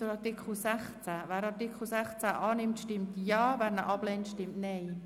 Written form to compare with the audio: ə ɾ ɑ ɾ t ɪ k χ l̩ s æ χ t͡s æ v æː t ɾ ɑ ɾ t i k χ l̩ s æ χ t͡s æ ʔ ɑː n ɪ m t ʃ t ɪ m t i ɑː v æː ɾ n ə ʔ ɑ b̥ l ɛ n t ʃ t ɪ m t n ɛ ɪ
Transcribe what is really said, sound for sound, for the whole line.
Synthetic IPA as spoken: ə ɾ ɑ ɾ t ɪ k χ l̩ s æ χ t͡s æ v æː ɾ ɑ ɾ t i k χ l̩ s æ χ t͡s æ ʔ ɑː n ɪ m t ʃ t ɪ m t j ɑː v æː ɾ n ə ʔ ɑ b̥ l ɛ n t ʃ t ɪ m t n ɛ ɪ